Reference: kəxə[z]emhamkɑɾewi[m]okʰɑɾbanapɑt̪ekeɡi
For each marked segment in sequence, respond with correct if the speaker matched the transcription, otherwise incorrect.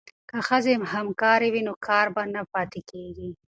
correct, incorrect

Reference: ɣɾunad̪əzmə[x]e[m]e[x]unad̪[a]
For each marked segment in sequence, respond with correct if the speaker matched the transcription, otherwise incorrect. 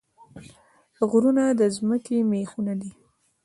incorrect, correct, correct, incorrect

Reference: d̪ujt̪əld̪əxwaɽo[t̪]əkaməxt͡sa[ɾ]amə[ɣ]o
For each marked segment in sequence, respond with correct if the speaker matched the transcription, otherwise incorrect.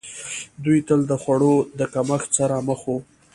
incorrect, correct, incorrect

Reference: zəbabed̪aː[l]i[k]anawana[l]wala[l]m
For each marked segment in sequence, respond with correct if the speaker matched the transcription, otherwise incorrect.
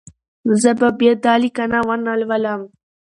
correct, correct, correct, incorrect

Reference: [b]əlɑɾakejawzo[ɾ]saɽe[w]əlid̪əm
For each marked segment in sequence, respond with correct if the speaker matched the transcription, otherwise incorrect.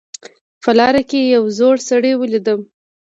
incorrect, incorrect, correct

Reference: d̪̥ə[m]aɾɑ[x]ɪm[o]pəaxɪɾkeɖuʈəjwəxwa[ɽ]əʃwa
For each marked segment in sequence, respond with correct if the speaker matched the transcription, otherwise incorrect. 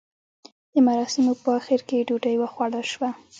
correct, incorrect, correct, correct

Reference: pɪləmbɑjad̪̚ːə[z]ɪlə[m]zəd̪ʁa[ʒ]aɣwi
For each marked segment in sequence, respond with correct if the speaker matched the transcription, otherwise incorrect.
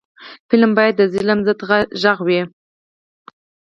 correct, correct, correct

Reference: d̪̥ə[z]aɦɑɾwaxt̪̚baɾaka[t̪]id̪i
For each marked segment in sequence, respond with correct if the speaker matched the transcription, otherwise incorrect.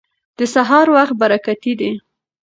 incorrect, correct

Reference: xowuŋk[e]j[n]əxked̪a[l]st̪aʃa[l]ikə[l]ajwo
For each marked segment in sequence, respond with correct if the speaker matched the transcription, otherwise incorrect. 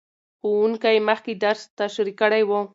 incorrect, incorrect, incorrect, incorrect, incorrect

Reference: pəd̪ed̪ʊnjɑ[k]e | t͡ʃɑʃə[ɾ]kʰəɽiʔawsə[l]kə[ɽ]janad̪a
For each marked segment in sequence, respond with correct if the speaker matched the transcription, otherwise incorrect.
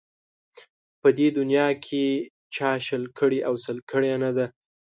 incorrect, incorrect, correct, correct

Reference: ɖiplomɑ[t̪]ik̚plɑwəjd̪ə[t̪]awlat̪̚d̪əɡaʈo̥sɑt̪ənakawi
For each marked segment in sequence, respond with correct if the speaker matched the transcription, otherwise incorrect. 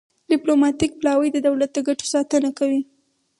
correct, incorrect

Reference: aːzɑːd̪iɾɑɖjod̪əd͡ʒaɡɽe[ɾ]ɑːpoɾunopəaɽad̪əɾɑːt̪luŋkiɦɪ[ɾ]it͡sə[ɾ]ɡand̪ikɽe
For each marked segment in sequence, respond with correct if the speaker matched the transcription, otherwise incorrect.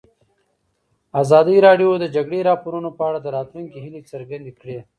correct, incorrect, correct

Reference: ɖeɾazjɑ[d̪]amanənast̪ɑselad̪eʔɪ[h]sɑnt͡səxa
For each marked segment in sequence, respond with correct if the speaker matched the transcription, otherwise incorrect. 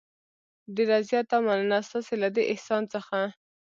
incorrect, correct

